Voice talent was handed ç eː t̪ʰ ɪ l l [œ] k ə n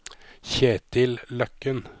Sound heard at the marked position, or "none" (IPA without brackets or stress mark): œ